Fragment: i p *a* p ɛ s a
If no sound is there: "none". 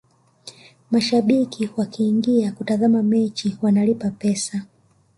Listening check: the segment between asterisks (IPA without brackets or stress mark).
a